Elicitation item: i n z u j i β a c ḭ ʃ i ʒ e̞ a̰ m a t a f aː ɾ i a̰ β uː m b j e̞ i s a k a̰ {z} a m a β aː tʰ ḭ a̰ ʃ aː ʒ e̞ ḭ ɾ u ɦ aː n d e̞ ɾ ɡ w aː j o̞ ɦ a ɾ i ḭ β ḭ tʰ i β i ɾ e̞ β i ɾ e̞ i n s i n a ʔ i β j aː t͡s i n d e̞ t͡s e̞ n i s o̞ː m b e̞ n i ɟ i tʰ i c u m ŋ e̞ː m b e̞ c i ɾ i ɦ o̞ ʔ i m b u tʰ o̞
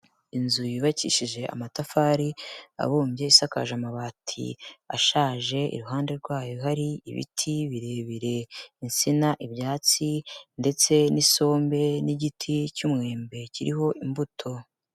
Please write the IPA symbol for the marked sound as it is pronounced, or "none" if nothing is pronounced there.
ʒ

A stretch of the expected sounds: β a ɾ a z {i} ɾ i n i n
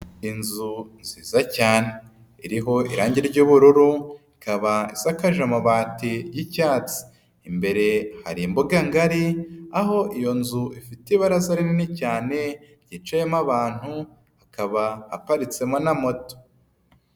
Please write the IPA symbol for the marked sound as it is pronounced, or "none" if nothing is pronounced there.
a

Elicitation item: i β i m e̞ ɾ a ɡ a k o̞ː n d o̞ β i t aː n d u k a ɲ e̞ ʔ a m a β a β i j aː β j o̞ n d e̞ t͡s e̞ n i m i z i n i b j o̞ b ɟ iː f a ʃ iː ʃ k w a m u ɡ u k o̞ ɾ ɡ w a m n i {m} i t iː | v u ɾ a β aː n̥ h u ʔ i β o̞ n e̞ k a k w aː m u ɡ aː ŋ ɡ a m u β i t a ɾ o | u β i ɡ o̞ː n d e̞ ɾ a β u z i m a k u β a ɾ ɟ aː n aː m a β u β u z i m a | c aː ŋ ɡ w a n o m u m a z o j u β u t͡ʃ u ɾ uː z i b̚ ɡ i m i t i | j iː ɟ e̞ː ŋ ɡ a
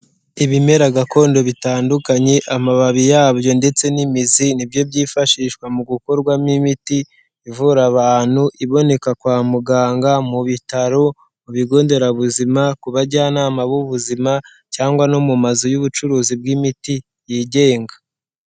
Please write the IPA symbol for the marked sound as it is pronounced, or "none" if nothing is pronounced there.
m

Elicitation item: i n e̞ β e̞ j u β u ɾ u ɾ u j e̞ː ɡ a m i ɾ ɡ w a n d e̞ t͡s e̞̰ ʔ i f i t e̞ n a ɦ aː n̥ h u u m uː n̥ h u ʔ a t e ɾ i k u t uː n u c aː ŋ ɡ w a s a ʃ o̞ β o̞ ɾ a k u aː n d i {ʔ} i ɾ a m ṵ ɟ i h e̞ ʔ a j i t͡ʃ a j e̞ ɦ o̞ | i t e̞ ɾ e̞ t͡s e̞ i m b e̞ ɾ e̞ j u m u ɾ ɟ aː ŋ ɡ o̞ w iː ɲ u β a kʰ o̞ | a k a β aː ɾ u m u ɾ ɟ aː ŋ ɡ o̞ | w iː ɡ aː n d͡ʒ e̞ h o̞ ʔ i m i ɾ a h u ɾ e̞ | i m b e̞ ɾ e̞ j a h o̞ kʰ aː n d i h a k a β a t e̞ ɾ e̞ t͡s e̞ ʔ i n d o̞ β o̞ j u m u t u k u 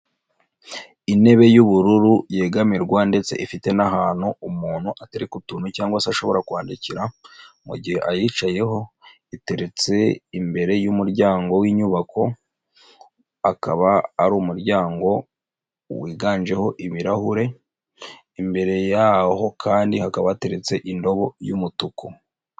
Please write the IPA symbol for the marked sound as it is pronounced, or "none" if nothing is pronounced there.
c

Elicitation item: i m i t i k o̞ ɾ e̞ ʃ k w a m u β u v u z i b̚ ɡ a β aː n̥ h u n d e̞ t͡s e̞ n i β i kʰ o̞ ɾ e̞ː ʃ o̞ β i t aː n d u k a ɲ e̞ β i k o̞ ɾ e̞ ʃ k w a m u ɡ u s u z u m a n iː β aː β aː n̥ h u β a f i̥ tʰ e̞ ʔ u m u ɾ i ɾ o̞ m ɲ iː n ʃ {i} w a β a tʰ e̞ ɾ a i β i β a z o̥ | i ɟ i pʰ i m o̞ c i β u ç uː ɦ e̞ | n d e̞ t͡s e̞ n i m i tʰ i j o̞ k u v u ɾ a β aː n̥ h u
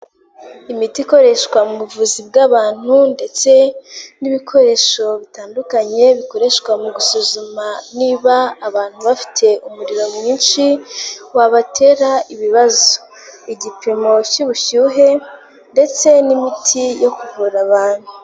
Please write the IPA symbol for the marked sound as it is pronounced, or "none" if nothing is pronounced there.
i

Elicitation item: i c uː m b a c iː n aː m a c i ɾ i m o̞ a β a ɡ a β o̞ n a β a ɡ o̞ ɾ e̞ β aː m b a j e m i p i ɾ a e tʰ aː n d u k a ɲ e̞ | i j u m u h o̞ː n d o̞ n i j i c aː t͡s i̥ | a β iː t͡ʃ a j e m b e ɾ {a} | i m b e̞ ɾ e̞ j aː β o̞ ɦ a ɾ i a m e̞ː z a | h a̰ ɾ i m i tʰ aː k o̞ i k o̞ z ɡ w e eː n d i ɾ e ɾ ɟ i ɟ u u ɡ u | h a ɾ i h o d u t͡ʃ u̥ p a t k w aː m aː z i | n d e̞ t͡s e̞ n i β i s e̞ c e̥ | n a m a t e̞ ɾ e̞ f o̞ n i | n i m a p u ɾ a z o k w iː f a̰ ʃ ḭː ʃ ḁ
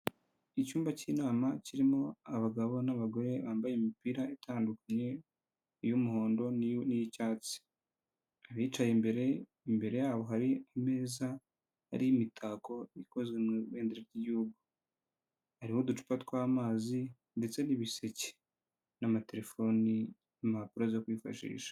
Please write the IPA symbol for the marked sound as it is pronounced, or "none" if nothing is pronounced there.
e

